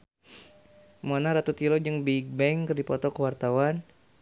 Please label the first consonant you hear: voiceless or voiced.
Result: voiced